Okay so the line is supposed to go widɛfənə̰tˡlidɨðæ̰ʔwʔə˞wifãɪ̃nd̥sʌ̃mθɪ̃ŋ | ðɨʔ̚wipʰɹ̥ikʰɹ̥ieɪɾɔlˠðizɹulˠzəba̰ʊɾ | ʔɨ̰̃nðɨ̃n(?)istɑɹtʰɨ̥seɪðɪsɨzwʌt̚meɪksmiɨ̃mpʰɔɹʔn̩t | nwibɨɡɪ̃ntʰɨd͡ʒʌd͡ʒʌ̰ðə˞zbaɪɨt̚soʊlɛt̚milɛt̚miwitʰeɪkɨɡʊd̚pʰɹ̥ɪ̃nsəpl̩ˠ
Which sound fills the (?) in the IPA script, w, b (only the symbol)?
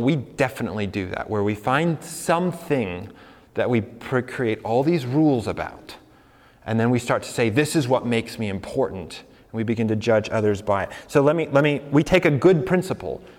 w